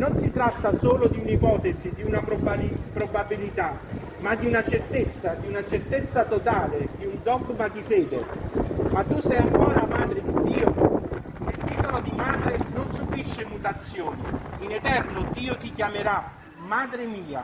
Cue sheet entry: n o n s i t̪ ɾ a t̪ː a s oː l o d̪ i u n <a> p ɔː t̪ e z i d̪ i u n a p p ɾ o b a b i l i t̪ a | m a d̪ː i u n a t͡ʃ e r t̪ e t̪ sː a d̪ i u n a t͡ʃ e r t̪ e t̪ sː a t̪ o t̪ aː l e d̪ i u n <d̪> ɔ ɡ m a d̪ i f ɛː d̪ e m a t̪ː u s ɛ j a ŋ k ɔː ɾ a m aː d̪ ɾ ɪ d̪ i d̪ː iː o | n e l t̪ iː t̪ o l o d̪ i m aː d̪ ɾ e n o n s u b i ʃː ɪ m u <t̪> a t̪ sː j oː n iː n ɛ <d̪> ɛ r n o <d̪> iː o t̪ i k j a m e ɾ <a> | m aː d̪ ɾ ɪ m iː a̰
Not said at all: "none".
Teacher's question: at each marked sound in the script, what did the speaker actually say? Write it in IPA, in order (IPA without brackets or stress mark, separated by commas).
i, d̪, t̪, t̪, d̪, a